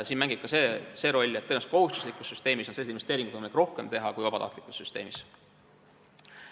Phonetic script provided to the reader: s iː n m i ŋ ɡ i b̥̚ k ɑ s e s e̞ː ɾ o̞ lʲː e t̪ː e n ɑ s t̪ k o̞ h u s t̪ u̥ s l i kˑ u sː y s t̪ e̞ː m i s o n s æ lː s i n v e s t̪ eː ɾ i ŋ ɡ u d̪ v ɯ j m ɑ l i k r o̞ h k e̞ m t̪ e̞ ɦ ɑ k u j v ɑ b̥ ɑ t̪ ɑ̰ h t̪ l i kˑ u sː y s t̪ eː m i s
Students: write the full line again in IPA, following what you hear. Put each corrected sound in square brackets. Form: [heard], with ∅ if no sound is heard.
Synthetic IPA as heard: s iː n m [æ] ŋ ɡ i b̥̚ k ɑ s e s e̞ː ɾ o̞ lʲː e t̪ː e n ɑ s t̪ k o̞ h u s t̪ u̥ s l i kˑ u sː y s t̪ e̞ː m i s o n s [e] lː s i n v e s t̪ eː ɾ i ŋ ɡ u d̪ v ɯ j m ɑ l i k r o̞ h k e̞ m t̪ e̞ ɦ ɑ k u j v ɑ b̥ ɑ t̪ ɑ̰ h t̪ l i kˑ u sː y s t̪ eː m i s